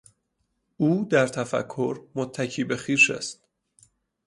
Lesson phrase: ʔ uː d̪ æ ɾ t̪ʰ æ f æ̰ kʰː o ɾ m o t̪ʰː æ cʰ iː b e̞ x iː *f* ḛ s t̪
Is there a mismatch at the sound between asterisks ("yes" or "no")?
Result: yes